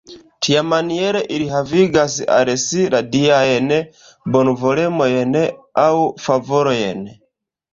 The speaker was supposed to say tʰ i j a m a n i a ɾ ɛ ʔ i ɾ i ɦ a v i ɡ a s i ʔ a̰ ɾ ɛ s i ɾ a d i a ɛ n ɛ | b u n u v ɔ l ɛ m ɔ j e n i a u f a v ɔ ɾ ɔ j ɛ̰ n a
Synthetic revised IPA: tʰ i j a m a n i ɛ ɾ ɛ ʔ i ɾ i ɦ a v i ɡ a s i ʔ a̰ ɾ ɛ s i ɾ a d i a ɛ n ɛ | b ɔ n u v ɔ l ɛ m ɔ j ɛ n ɛ a u f a v ɔ ɾ ɔ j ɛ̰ n ɛ